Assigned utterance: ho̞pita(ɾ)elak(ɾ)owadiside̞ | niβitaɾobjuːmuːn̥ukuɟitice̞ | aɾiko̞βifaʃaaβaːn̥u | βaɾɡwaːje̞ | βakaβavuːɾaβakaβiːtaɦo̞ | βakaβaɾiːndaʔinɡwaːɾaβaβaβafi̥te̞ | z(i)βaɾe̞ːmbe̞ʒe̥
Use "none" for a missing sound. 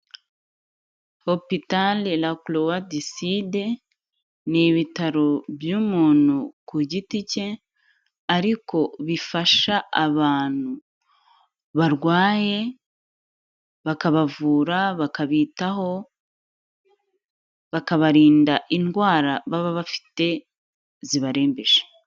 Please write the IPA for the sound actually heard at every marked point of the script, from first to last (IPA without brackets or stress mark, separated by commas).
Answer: l, l, i